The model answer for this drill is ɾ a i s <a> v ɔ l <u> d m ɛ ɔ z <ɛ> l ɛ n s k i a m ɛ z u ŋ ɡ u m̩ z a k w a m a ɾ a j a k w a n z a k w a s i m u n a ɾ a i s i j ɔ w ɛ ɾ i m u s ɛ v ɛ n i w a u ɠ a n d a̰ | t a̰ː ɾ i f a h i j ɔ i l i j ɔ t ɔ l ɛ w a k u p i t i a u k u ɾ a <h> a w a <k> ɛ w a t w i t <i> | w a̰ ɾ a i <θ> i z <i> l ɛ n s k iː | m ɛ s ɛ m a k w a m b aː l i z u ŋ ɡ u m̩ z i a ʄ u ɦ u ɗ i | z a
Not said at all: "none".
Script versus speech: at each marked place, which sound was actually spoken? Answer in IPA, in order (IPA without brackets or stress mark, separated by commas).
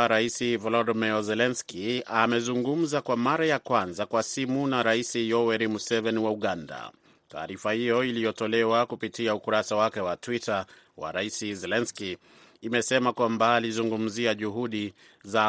i, ɔ, ɛ, s, k, a, s, ɛ